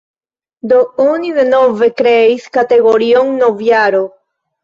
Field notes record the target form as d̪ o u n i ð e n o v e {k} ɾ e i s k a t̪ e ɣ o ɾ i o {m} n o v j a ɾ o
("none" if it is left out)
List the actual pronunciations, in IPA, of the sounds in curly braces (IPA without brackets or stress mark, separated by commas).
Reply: k, ŋ